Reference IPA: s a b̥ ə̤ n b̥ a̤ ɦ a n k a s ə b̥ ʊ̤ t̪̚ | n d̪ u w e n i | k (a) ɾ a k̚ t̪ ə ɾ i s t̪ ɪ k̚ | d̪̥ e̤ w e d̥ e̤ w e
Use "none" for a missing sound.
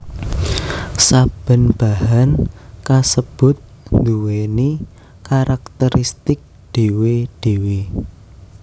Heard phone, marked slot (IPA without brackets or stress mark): a